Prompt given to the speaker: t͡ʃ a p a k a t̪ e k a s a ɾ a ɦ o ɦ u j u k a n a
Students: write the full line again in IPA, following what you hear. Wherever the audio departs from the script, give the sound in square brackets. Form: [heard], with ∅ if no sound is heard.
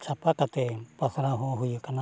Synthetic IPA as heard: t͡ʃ a p a k a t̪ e [p] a s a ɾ a ɦ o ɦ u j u k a n a